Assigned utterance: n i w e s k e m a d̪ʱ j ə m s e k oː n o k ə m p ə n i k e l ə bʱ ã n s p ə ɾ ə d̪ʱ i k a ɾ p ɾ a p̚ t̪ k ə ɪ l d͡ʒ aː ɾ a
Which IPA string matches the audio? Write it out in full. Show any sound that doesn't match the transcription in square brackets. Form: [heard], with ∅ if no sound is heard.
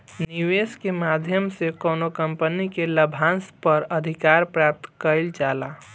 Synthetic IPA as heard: n i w e s k e m a d̪ʱ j ə m s e k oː n o k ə m p ə n i k e l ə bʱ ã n s p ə ɾ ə d̪ʱ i k a ɾ p ɾ a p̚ t̪ k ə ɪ l d͡ʒ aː [l] a